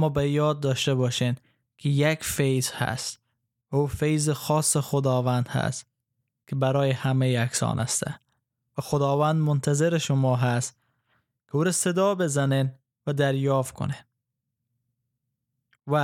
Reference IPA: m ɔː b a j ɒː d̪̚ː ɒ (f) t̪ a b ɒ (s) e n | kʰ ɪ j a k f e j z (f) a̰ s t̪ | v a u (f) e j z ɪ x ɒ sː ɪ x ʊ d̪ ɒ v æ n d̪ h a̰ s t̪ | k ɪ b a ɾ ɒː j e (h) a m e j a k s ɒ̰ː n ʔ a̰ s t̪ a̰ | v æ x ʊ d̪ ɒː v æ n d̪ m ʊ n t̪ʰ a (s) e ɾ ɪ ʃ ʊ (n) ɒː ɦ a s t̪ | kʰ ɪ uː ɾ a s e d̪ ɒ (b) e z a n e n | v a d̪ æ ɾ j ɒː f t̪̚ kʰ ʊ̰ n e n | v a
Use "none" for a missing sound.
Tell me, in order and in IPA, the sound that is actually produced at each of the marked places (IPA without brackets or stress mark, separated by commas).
ʃ, ʃ, h, f, h, z, m, b